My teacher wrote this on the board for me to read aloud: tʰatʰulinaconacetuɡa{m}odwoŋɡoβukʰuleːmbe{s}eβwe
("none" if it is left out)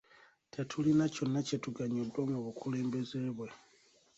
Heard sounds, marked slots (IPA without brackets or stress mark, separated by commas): ɲ, z